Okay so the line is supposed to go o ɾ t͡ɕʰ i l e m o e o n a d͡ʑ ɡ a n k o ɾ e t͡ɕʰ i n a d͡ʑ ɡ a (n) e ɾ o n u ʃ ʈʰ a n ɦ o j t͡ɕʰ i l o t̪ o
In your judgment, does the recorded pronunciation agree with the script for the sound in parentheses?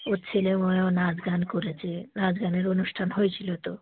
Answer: yes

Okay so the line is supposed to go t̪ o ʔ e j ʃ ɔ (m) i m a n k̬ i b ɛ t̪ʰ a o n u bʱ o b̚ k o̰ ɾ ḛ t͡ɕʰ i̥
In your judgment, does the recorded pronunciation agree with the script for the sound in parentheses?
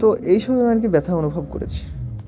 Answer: no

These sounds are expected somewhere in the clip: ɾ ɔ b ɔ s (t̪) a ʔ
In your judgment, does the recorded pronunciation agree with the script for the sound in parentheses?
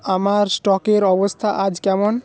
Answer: no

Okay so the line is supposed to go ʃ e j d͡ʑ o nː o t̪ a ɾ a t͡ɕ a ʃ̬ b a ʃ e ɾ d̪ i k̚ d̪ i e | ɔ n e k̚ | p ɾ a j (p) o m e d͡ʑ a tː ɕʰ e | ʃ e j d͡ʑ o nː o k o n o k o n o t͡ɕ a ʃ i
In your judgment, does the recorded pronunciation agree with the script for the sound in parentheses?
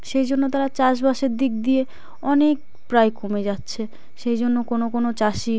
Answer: no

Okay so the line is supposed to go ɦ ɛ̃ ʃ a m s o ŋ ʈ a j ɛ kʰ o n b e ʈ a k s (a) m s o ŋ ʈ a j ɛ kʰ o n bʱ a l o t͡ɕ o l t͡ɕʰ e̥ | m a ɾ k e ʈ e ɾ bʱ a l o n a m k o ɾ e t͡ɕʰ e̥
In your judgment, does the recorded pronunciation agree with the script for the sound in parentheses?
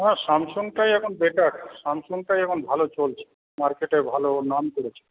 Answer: yes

